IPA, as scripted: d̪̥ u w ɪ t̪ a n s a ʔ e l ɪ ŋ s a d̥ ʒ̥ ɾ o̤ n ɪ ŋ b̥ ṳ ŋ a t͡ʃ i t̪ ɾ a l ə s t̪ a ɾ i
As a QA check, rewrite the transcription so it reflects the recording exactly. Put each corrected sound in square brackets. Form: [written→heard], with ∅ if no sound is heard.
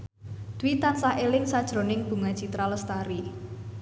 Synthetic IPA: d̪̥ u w [ɪ→i] t̪ a n s a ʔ e l ɪ ŋ s a d̥ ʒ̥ ɾ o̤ n ɪ ŋ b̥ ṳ ŋ a t͡ʃ i t̪ ɾ a l ə s t̪ a ɾ i